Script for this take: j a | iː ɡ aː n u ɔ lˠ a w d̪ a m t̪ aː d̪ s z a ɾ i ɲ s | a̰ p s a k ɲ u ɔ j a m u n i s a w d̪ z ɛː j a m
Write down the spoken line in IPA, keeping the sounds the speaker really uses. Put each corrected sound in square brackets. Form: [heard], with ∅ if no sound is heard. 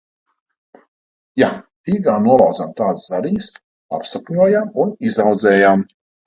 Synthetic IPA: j a | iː ɡ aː n u ɔ lˠ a w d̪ a m t̪ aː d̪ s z a ɾ i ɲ s | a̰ p s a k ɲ u ɔ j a m u n i [z] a w d̪ z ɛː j a m